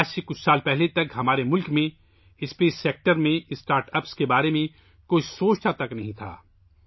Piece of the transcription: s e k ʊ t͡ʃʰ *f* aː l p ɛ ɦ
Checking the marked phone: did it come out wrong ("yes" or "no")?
yes